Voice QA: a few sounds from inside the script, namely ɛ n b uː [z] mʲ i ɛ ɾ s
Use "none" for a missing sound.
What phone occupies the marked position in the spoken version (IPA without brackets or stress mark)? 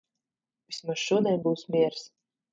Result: s